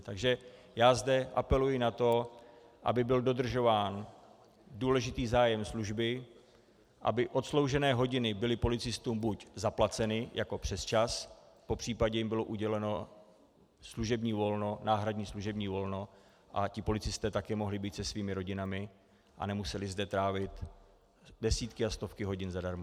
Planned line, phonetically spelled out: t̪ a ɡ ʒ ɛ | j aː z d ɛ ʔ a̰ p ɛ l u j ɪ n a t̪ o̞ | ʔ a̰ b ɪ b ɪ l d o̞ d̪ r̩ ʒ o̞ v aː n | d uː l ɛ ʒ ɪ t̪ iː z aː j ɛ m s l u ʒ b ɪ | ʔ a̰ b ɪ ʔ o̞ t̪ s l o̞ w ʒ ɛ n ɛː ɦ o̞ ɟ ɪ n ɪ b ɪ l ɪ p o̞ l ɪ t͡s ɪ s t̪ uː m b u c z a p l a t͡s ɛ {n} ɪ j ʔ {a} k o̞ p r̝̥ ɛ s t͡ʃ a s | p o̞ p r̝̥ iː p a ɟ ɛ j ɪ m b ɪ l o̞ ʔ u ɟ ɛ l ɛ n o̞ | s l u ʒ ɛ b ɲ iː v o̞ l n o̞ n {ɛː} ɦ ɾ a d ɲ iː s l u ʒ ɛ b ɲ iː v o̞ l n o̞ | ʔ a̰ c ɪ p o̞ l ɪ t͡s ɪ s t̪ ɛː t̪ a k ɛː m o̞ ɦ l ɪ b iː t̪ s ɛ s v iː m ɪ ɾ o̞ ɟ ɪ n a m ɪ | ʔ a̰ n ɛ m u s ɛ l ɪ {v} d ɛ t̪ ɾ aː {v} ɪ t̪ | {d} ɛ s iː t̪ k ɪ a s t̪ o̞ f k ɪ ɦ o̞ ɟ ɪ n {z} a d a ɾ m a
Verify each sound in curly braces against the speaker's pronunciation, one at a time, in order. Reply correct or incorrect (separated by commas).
correct, correct, incorrect, incorrect, correct, correct, correct